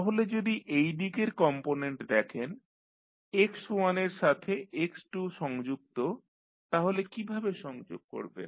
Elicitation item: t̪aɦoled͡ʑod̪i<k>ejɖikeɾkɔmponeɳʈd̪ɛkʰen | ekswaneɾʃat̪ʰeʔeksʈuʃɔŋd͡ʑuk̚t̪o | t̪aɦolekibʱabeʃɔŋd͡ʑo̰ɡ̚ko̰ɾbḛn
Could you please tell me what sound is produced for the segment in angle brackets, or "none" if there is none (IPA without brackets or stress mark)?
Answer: ʔ